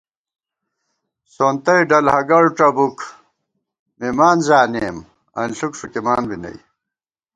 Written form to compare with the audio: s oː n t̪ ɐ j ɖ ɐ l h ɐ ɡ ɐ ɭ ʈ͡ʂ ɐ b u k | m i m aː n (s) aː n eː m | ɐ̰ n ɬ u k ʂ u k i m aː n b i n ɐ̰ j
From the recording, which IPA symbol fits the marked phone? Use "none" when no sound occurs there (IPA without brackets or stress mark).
z